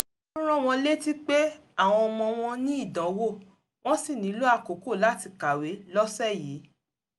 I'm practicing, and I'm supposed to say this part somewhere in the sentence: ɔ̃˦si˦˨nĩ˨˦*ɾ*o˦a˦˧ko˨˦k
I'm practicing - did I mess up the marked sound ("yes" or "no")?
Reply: yes